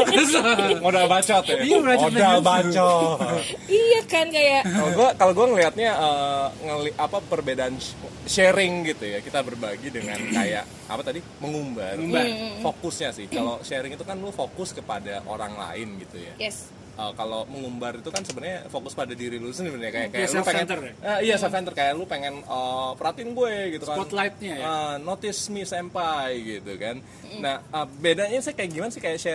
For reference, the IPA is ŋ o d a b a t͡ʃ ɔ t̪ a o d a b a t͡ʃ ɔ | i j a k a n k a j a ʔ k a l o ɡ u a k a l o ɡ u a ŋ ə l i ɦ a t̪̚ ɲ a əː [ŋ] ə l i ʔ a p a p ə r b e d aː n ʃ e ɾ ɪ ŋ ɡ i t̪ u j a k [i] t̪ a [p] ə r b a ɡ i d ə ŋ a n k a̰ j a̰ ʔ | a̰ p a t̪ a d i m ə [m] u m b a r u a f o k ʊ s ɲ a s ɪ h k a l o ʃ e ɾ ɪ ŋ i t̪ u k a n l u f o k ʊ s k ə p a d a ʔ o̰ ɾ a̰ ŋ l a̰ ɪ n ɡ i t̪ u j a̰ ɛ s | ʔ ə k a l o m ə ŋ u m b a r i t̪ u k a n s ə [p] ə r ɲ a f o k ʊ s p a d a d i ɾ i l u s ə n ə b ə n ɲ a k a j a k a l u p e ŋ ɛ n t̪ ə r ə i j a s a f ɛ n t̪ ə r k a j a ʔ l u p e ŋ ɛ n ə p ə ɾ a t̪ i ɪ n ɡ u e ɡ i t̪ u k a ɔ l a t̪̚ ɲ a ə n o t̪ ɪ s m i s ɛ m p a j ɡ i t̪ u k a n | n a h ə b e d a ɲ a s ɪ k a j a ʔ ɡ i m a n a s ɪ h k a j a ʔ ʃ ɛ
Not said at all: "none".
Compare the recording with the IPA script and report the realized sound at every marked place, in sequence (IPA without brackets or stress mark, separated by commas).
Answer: ŋ, i, b, ŋ, b